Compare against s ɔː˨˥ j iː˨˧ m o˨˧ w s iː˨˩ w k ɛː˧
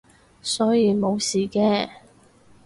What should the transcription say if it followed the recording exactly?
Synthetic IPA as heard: s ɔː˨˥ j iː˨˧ m o˨˧ w s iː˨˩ k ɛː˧